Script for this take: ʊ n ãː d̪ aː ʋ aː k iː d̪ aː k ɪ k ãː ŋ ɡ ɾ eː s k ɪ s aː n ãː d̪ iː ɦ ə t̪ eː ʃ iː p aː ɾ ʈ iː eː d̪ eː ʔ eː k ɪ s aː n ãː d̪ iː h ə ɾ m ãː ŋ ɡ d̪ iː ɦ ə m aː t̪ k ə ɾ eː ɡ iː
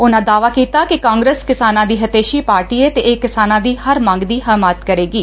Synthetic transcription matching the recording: ʊ n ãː d̪ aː ʋ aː k iː t̪ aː k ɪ k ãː ŋ ɡ ɾ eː s k ɪ s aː n ãː d̪ iː ɦ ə t̪ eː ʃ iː p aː ɾ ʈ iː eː t̪ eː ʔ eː k ɪ s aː n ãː d̪ iː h ə ɾ m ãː ŋ ɡ d̪ iː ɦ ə m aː t̪ k ə ɾ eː ɡ iː

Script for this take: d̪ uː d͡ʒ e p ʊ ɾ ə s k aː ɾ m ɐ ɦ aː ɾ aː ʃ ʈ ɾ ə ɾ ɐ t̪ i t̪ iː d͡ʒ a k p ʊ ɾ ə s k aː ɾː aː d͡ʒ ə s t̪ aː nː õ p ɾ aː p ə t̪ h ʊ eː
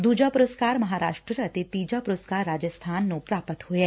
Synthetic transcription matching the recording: d̪ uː d͡ʒ a p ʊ ɾ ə s k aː ɾ m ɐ ɦ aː ɾ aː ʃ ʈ ɾ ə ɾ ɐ t̪ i t̪ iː d͡ʒ a p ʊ ɾ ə s k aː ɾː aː d͡ʒ ə s t̪ʰ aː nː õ p ɾ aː p ə t̪ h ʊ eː

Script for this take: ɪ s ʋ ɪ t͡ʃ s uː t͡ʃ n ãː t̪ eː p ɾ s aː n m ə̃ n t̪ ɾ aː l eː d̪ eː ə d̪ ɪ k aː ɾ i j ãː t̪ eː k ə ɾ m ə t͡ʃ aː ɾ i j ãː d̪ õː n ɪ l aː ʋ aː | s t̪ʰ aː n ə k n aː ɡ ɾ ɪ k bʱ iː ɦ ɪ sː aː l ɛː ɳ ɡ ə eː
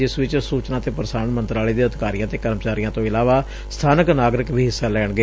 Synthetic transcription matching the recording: ɪ s ʋ ɪ t͡ʃ s uː t͡ʃ n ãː t̪ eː p ɾ s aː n m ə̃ n t̪ ɾ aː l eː d̪ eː ə d̪ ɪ k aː ɾ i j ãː t̪ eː k ə ɾ m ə t͡ʃ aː ɾ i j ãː t̪ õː ɪ l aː ʋ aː | s t̪ʰ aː n ə k n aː ɡ ɾ ɪ k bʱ iː ɦ ɪ sː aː l ɛː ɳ ɡ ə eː

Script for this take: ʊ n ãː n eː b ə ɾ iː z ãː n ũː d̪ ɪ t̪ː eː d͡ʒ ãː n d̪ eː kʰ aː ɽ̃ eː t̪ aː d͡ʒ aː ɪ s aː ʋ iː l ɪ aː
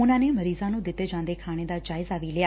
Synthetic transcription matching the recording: ʊ n ãː n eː m ə ɾ iː z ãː n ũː d̪ ɪ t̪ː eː d͡ʒ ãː n d̪ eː kʰ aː ɽ̃ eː d̪ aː d͡ʒ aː ɪ z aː ʋ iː l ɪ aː

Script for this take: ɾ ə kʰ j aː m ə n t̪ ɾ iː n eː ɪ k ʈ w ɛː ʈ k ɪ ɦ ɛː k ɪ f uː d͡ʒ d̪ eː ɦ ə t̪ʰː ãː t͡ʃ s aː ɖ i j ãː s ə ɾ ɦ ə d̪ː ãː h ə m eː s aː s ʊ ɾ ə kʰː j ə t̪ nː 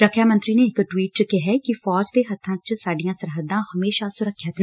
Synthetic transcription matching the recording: ɾ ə kʰ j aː m ə n t̪ ɾ iː n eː ɪ k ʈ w iː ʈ k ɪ ɦ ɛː k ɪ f ɔː d͡ʒ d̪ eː ɦ ə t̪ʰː ãː t͡ʃ s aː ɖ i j ãː s ə ɾ ɦ ə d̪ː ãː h ə m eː ʃ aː s ʊ ɾ ə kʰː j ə t̪ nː

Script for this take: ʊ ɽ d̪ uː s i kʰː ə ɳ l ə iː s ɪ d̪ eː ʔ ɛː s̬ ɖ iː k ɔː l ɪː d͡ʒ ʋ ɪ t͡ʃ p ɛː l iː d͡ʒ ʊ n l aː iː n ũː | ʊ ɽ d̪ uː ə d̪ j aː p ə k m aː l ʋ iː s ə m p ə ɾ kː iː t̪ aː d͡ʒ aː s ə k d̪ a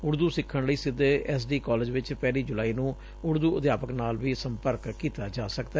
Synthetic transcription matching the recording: ʊ ɽ d̪ uː s ɪ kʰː ə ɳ l ə iː s ɪ d̪ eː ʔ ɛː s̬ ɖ iː k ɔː l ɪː d͡ʒ ʋ ɪ t͡ʃ p ɛː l iː d͡ʒ ʊ l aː iː n ũː | ʊ ɽ d̪ uː ə d̪ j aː p ə k n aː l ʋ iː s ə m p ə ɾ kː iː t̪ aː d͡ʒ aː s ə k d̪ a

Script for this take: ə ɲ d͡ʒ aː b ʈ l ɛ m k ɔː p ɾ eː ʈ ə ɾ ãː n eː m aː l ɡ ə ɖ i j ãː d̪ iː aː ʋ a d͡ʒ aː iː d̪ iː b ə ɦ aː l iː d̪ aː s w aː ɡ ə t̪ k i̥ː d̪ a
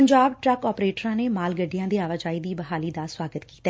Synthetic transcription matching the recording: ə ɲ d͡ʒ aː b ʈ ɾ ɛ k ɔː p ɾ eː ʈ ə ɾ ãː n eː m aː l ɡ ə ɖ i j ãː d̪ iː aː ʋ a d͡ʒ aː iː d̪ iː b ə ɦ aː l iː d̪ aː s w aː ɡ ə t̪ k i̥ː t̪ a

